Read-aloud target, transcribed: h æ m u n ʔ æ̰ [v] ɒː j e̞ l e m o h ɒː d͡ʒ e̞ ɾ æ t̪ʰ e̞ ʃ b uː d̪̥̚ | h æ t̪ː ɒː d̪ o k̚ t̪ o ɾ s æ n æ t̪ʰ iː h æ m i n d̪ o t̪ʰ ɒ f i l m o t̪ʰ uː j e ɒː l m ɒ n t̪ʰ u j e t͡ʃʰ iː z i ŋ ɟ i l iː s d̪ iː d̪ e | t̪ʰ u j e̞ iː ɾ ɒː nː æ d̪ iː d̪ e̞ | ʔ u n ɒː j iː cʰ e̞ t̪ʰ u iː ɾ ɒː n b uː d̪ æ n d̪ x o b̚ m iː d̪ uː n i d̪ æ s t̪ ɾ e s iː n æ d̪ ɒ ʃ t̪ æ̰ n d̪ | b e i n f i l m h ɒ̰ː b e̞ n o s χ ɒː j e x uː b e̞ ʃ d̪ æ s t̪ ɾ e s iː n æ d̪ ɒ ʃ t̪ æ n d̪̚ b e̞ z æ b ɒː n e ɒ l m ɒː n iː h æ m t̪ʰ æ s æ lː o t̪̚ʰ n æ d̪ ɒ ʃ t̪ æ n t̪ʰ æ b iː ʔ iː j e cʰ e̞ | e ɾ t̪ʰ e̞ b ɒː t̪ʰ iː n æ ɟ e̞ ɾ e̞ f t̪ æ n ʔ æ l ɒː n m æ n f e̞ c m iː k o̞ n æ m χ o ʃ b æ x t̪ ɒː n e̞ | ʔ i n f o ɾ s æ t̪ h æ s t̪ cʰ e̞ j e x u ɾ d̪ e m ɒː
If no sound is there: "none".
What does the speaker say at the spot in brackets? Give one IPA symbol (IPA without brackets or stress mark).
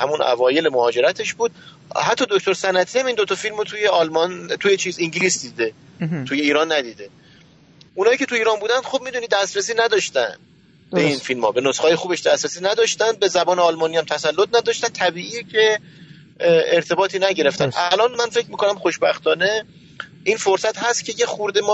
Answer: v